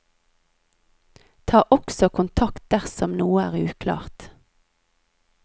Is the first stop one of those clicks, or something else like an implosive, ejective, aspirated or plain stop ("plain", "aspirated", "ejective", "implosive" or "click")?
aspirated